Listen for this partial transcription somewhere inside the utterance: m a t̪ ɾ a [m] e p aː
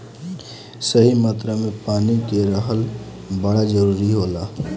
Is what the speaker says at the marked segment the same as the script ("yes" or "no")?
yes